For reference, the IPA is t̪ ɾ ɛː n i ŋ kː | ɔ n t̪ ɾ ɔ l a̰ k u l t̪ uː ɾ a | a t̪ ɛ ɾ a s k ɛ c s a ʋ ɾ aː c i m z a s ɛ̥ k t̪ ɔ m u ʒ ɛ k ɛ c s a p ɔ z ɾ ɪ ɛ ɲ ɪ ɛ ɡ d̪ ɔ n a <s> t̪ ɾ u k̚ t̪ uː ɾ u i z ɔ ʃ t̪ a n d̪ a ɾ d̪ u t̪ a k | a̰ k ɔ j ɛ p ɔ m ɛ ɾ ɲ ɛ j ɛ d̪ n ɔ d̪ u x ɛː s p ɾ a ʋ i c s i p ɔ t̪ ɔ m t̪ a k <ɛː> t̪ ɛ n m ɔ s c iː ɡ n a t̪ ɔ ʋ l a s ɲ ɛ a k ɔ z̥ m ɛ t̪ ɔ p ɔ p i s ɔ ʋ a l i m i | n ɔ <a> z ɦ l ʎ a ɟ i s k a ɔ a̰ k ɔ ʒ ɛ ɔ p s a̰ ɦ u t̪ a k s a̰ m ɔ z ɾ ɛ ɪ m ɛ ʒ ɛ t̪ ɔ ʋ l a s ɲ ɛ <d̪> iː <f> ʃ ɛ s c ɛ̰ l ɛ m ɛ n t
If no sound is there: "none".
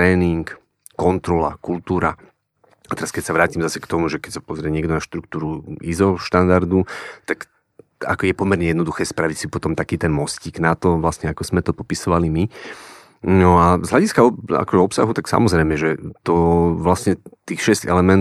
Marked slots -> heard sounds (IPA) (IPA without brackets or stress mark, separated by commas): ʃ, iː, a, t̪, x